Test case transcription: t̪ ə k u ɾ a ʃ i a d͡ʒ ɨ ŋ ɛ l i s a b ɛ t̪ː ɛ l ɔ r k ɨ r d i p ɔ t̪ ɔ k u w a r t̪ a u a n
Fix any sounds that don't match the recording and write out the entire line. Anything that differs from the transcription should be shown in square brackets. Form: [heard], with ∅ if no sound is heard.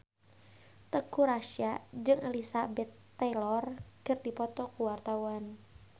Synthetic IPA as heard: t̪ ə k u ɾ a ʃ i a d͡ʒ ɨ ŋ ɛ l i s a b ɛ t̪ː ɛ l ɔ r k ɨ r d i p ɔ t̪ ɔ k u w a r t̪ a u a n